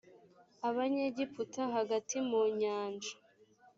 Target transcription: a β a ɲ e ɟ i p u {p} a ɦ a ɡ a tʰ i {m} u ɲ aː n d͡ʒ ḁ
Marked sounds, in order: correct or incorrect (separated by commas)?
incorrect, correct